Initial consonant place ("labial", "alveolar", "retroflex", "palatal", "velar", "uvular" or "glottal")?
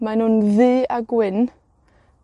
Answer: labial